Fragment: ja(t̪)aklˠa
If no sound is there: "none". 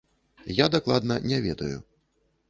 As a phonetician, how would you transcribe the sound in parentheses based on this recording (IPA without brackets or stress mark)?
d̪